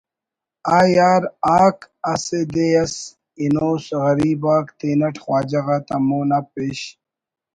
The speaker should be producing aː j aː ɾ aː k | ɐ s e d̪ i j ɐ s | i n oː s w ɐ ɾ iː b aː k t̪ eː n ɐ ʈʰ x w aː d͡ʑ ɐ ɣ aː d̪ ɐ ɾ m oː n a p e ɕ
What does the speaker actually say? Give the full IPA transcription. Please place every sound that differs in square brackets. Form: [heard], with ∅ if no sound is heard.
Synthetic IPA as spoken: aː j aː ɾ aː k | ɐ s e d̪ [e] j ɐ s | i n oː s [ɣ] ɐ ɾ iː b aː k t̪ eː n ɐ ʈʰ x w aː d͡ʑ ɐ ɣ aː [t̪] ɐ [∅] m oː n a p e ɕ